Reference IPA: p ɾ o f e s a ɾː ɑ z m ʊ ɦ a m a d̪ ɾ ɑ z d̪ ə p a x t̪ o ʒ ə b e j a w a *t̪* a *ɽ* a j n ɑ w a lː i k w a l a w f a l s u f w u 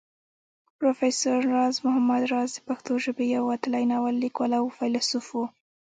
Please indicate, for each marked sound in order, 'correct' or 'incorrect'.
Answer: correct, incorrect: l

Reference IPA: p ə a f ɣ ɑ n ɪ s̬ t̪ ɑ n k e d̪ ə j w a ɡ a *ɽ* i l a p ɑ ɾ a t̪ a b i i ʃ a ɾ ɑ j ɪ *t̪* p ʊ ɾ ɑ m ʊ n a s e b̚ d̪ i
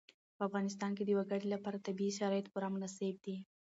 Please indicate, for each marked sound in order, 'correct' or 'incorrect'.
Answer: correct, correct

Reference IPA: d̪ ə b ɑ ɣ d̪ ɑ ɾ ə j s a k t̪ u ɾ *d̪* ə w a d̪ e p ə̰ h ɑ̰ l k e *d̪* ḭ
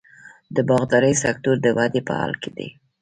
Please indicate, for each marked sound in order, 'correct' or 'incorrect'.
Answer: correct, correct

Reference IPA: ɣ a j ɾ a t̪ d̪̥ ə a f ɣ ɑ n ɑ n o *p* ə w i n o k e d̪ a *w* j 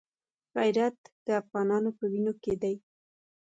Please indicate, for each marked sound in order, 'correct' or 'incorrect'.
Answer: correct, incorrect: none

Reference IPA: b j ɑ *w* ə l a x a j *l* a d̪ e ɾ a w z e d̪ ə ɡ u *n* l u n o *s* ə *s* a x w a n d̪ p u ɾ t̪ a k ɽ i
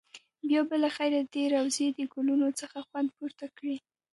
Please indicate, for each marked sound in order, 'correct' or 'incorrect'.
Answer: incorrect: b, incorrect: ɾ, incorrect: none, incorrect: t͡s, incorrect: x

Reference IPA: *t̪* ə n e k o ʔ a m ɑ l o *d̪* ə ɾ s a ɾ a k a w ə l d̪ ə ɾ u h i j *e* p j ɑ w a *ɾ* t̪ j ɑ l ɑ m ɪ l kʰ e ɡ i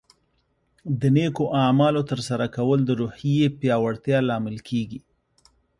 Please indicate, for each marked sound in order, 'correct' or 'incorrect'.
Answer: incorrect: d̪, incorrect: t̪, correct, incorrect: ɽ

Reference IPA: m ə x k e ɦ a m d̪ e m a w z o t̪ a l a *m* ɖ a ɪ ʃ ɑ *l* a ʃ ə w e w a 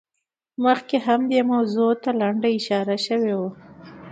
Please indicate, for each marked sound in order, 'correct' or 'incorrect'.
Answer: incorrect: ɳ, incorrect: ɾ

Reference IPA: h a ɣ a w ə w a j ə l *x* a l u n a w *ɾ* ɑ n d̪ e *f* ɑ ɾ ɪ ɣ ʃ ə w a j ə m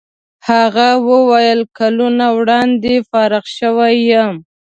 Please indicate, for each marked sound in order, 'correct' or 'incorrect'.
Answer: incorrect: k, incorrect: ɽ, correct

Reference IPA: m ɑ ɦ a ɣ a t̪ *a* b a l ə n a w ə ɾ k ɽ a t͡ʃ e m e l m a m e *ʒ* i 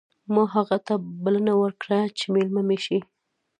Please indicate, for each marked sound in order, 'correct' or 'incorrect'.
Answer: correct, incorrect: ʃ

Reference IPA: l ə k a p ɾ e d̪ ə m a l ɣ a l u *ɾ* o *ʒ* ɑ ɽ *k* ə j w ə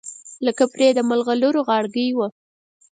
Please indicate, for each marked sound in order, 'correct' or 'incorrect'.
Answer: correct, incorrect: ɣ, incorrect: ɡ

